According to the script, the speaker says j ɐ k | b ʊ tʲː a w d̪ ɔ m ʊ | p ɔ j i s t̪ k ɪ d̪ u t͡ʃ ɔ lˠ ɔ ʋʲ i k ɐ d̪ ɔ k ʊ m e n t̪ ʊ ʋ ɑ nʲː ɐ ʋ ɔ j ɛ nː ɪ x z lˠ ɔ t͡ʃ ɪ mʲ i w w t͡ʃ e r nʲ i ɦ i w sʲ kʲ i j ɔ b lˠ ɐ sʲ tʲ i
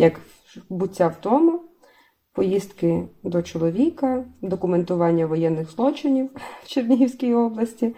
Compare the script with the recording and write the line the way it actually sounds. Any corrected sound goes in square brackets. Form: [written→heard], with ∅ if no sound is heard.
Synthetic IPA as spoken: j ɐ k | b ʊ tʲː a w [d̪→t̪] ɔ m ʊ | p ɔ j i s t̪ k ɪ d̪ [u→ɔ] t͡ʃ ɔ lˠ ɔ ʋʲ i k ɐ d̪ ɔ k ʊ m e n t̪ ʊ ʋ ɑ nʲː ɐ ʋ ɔ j ɛ nː ɪ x z lˠ ɔ t͡ʃ ɪ [mʲ→nʲ] i w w t͡ʃ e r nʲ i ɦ i w sʲ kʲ i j ɔ b lˠ ɐ sʲ tʲ i